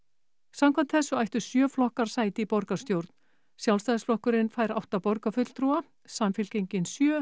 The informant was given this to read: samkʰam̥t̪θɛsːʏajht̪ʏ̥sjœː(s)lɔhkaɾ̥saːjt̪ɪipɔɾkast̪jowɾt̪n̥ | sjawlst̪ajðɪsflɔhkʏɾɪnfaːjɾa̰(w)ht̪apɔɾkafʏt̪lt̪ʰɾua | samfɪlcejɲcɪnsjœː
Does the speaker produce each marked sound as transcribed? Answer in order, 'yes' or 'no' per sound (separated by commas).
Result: no, yes